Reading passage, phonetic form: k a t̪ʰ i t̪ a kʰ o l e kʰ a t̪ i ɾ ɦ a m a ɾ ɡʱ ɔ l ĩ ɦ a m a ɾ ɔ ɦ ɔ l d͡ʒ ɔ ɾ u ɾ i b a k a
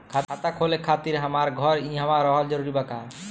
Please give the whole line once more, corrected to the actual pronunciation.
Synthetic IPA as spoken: kʰ a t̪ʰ a t̪ a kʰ o l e kʰ a t̪ i ɾ ɦ a m a ɾ ɡʱ ɔ ɾ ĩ ɦ a m a ɾ ɔ ɦ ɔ l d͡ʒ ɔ ɾ u ɾ i b a k a